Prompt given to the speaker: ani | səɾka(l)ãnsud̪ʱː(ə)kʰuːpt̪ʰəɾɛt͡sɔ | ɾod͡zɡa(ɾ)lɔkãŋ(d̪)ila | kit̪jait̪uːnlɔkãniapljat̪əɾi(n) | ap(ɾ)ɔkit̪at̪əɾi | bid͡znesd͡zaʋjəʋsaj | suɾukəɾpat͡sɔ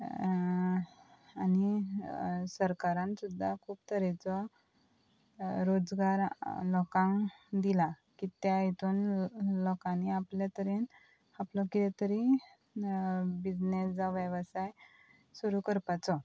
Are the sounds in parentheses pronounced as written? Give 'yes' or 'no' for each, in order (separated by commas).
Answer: no, no, yes, yes, yes, no